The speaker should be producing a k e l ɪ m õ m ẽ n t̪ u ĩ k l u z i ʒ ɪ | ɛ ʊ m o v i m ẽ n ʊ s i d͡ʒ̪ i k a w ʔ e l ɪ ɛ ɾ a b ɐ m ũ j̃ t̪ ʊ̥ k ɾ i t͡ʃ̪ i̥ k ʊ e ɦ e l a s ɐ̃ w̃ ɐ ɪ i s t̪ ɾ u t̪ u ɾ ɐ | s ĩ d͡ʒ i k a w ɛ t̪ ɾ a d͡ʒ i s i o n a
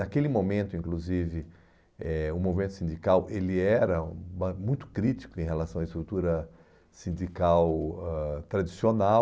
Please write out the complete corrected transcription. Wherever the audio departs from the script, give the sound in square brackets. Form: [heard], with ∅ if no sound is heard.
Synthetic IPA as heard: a k e l ɪ m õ m ẽ n t̪ [ʊ] ĩ k l u z i [v] ɪ | ɛ ʊ m o v i m ẽ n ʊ s [ĩ] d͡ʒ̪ i k a w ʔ e l ɪ ɛ ɾ [ɐ] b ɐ m ũ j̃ t̪ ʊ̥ k ɾ i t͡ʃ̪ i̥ k ʊ [ẽ] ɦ e l a s ɐ̃ w̃ ɐ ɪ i s t̪ ɾ u t̪ u ɾ ɐ | s ĩ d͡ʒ i k a w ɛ t̪ ɾ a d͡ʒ i s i o n a